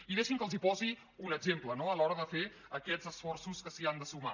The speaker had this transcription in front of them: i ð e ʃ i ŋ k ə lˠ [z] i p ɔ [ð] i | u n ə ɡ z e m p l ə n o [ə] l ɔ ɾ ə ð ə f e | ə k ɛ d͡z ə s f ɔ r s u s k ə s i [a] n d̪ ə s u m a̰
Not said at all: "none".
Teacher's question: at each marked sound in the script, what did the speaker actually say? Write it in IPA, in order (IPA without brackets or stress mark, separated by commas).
z, z, ə, a